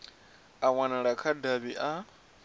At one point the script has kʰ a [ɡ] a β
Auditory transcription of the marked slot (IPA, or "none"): d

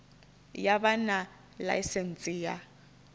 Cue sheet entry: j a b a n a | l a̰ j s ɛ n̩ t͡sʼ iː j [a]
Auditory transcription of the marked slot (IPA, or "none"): a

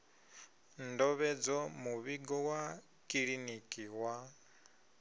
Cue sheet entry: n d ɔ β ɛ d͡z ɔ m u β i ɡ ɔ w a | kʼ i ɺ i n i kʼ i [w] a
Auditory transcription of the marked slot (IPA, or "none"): w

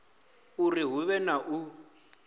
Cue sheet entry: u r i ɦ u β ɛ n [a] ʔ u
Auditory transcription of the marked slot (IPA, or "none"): a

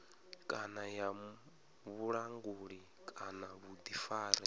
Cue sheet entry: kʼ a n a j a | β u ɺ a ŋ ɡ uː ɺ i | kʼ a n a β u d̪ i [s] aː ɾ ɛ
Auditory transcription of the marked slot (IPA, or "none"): f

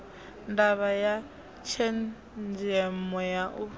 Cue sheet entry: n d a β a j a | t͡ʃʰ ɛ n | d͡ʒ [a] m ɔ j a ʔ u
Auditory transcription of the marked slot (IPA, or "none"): ɛ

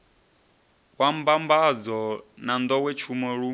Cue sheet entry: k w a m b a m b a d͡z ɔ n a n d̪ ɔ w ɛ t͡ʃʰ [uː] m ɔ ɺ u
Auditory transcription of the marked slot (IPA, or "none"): u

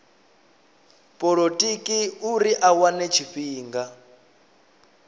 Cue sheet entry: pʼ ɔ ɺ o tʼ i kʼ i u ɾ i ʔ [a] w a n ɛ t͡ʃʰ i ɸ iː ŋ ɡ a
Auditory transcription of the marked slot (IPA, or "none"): a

